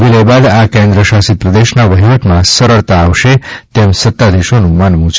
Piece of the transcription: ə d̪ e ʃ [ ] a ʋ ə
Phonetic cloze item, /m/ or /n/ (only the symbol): n